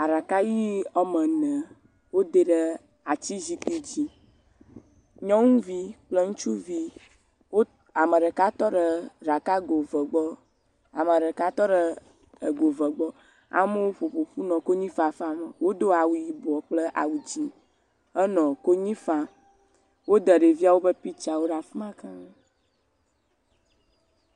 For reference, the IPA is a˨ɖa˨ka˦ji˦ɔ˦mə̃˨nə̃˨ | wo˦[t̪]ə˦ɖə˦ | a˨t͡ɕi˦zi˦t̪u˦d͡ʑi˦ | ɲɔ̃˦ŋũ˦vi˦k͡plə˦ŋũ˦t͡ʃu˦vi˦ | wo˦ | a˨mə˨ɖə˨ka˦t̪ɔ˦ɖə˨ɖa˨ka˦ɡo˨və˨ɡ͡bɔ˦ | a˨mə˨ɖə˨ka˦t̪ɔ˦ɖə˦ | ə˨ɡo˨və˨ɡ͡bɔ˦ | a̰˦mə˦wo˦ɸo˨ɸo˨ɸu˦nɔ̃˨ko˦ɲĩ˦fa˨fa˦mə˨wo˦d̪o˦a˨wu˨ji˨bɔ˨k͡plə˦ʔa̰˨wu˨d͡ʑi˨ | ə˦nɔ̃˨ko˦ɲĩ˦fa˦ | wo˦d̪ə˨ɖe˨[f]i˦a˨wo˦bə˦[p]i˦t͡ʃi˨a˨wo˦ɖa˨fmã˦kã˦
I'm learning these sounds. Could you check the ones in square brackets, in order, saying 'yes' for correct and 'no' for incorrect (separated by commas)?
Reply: no, no, yes